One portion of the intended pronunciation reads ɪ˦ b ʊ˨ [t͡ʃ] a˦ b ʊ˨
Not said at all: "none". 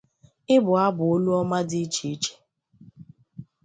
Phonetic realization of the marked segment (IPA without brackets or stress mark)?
none